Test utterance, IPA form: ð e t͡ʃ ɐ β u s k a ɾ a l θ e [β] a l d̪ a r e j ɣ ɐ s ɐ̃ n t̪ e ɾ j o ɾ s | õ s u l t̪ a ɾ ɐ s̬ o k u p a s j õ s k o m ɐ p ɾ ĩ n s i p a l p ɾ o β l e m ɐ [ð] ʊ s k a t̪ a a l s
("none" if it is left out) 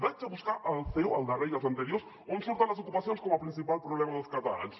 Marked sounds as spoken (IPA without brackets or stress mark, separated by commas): w, ð